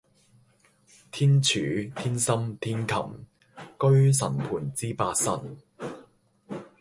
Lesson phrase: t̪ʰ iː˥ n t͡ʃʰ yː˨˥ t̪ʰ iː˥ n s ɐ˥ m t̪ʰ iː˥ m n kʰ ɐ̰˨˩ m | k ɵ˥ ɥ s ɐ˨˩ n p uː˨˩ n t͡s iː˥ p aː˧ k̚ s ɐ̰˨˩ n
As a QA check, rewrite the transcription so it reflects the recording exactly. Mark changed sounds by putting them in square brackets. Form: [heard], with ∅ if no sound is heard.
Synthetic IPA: t̪ʰ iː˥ n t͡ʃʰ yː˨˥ t̪ʰ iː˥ n s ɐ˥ m t̪ʰ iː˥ [∅] n kʰ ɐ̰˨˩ m | k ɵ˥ ɥ s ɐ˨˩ n [pʰ] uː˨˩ n t͡s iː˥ p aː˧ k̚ s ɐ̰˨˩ n

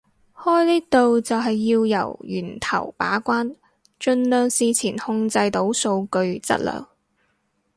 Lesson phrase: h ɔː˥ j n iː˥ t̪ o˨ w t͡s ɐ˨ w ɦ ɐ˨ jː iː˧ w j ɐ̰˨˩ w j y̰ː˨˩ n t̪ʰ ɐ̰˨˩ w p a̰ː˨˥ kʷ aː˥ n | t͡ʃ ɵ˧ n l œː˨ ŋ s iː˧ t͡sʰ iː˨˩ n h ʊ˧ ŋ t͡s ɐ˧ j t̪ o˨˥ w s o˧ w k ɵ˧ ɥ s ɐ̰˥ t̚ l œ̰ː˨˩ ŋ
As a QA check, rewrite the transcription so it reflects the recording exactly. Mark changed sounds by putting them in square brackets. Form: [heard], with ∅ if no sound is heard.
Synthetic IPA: h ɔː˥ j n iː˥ t̪ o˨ w t͡s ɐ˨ w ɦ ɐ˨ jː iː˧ w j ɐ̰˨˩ w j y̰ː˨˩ n t̪ʰ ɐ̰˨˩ w p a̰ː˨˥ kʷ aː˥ n | t͡ʃ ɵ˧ n l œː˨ ŋ s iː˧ t͡sʰ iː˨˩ n h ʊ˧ ŋ t͡s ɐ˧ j t̪ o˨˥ w s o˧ w k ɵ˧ ɥ [t͡s] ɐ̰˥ t̚ l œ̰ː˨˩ ŋ

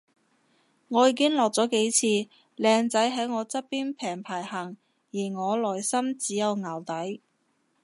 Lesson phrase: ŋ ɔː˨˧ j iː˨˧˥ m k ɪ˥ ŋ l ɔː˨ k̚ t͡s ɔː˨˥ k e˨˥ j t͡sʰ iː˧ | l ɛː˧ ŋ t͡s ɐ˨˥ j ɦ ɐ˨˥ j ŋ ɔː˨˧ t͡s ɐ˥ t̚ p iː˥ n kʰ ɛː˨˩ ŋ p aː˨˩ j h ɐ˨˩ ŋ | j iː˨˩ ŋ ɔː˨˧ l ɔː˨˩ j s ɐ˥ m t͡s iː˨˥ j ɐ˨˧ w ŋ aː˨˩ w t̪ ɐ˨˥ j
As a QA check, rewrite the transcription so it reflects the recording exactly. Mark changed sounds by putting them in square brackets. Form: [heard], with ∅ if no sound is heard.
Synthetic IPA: ŋ ɔː˨˧ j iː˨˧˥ [∅] k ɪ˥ ŋ l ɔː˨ k̚ t͡s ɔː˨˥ k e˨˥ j t͡sʰ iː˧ | l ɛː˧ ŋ t͡s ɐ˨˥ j ɦ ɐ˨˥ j ŋ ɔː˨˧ t͡s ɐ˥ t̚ p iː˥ n [pʰ] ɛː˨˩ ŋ [pʰ] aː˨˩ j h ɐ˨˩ ŋ | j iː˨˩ ŋ ɔː˨˧ l ɔː˨˩ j s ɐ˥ m t͡s iː˨˥ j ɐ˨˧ w ŋ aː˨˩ w t̪ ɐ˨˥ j

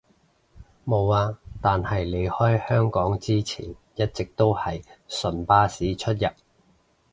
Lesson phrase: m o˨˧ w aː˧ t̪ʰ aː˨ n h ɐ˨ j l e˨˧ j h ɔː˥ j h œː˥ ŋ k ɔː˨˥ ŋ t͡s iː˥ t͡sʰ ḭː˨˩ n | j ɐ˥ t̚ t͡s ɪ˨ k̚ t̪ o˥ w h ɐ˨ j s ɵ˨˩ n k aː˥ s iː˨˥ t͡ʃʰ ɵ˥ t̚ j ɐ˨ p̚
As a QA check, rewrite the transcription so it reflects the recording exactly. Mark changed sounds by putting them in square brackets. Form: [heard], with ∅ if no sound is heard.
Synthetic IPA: m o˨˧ w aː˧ [t̪] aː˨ n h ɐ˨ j l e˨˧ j h ɔː˥ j h œː˥ ŋ k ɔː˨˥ ŋ t͡s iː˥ t͡sʰ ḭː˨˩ n | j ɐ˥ t̚ t͡s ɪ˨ k̚ t̪ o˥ w h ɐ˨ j s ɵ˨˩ n [p] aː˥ s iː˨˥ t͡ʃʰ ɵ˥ t̚ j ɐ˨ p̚

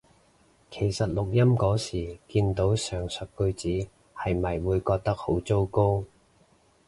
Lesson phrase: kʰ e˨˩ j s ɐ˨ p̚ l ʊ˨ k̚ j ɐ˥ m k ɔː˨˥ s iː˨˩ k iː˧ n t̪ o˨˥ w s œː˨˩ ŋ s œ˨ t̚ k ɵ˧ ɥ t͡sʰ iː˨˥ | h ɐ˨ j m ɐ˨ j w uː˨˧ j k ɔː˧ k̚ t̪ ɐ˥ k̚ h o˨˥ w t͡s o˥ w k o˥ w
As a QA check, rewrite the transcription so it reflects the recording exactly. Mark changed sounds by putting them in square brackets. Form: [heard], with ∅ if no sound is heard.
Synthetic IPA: kʰ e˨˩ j s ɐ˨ [t̚] l ʊ˨ k̚ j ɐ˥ m k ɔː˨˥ s iː˨˩ k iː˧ n t̪ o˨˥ w s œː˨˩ ŋ s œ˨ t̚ k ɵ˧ ɥ [t͡s] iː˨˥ | h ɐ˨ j m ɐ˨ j w uː˨˧ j k ɔː˧ k̚ t̪ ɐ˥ k̚ h o˨˥ w t͡s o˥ w k o˥ w

